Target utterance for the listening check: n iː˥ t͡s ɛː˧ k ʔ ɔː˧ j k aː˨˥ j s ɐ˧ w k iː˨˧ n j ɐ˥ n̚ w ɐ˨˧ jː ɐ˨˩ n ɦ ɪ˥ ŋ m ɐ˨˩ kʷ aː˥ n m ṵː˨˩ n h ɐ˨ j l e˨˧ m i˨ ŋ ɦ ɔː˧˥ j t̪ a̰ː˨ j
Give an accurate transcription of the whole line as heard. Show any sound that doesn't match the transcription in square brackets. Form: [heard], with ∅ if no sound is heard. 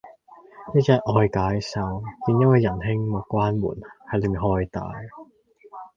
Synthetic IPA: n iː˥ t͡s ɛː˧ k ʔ ɔː˧ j k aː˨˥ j s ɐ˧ w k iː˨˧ n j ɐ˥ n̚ w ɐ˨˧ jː ɐ˨˩ n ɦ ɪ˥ ŋ m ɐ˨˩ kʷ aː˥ n m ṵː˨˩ n h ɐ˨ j l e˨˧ m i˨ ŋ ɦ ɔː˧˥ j t̪ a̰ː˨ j